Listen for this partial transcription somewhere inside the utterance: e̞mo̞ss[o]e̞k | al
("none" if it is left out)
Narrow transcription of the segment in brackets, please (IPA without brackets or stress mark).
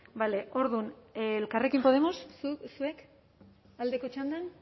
u